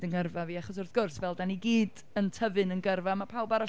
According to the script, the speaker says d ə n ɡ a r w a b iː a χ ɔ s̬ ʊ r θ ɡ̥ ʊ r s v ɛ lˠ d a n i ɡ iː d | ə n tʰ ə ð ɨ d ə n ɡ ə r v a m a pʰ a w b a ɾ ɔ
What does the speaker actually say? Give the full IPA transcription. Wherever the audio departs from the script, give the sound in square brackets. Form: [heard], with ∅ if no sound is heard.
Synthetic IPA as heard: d ə n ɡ [ə] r [v] a [v] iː a χ ɔ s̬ ʊ r θ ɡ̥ ʊ r s v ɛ lˠ d a n i ɡ iː d | ə n tʰ ə [v] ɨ [n] ə n ɡ ə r v a m a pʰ a w b a ɾ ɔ